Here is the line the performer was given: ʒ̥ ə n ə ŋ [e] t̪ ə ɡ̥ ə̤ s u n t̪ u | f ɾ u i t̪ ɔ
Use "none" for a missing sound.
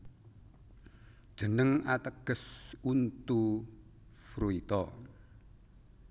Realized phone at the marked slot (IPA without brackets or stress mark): a